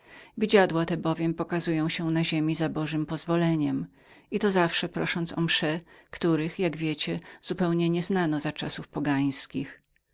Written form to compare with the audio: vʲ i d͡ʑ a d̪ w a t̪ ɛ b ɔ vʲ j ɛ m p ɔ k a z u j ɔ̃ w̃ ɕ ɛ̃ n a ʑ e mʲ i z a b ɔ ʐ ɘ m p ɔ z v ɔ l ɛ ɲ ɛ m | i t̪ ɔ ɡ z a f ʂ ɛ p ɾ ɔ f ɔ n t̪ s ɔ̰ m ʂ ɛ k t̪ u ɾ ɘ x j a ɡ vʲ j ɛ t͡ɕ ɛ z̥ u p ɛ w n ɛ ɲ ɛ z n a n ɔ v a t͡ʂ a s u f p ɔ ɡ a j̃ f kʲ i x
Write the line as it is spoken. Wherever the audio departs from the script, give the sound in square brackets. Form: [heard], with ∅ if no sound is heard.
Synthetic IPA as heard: vʲ i d͡ʑ a d̪ w a t̪ ɛ b ɔ vʲ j ɛ m p ɔ k a z u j ɔ̃ w̃ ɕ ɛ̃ n a ʑ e mʲ i z a b ɔ ʐ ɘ m p ɔ z v ɔ l ɛ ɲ ɛ m | i t̪ ɔ [∅] z a f ʂ ɛ p ɾ ɔ [ʂ] ɔ n t̪ s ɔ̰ m ʂ ɛ k t̪ u ɾ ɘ x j a ɡ vʲ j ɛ t͡ɕ ɛ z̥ u p ɛ w [ɲ] ɛ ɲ ɛ z n a n ɔ [z] a t͡ʂ a s u f p ɔ ɡ a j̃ [s] kʲ i x